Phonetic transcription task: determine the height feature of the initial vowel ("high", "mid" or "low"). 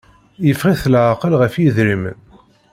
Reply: mid